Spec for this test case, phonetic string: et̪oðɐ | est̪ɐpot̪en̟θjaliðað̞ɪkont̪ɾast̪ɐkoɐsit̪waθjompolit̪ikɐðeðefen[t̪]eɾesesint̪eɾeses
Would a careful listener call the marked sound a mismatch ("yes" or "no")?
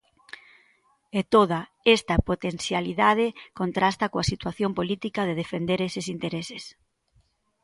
yes